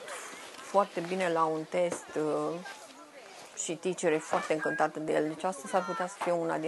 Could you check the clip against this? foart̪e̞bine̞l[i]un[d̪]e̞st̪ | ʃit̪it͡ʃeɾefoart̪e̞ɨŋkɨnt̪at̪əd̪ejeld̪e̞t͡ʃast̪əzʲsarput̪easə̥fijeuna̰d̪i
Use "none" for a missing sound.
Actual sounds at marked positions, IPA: a, t̪

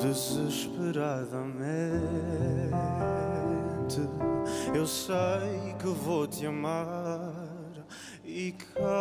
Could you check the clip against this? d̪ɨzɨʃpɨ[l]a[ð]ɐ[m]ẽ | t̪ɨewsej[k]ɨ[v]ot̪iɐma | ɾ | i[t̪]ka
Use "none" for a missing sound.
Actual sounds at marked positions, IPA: ɾ, ð, m, k, v, none

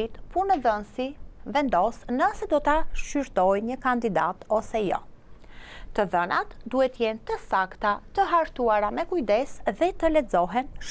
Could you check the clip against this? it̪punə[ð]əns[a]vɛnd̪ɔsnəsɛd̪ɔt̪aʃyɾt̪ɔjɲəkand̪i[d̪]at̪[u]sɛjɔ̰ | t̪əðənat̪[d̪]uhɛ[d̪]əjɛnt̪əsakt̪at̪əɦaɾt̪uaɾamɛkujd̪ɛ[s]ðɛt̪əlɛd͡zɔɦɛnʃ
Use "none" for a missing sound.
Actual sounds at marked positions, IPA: ð, i, d̪, ɔ, d̪, t̪, s

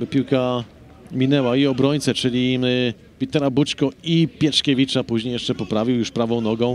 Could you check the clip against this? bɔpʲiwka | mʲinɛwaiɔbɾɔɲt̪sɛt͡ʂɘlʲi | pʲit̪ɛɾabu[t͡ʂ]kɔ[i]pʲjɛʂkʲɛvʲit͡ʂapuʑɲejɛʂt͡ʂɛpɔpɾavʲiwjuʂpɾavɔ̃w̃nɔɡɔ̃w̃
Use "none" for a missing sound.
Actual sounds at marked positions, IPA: t͡ʂ, i

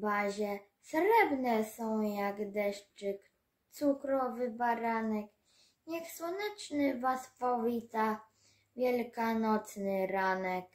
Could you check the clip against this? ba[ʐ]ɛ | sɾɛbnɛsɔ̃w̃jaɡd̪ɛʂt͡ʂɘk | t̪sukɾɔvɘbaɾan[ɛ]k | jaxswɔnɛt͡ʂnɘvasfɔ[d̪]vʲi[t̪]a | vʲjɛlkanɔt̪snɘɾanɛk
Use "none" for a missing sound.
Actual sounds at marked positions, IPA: ʑ, ɛ, none, t̪

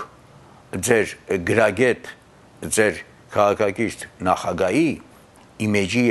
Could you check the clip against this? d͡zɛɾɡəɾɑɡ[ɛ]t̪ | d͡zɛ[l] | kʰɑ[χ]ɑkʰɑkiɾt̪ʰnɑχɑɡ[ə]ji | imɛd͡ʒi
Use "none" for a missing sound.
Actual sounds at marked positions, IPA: ɛ, ɾ, ʁ, ɑ

